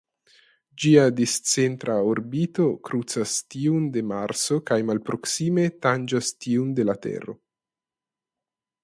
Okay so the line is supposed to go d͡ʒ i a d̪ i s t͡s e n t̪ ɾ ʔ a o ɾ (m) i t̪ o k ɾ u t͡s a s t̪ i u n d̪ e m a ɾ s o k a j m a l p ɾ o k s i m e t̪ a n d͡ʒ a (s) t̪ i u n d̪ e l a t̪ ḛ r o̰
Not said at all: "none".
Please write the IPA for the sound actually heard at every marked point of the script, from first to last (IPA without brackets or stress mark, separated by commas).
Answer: b, s